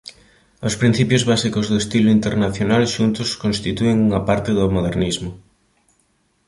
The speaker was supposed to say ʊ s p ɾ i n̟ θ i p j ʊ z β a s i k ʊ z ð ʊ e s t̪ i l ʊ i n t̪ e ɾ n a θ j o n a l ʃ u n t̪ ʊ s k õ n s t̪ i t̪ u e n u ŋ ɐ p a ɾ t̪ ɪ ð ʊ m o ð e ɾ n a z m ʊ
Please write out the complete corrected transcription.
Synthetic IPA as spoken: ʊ s p ɾ i n̟ θ i p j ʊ z β a s i k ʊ z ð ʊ e s t̪ i l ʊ i n t̪ e ɾ n a θ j o n a l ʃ u n t̪ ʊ s k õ n s t̪ i t̪ u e ŋ u ŋ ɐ p a ɾ t̪ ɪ ð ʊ m o ð e ɾ n i z m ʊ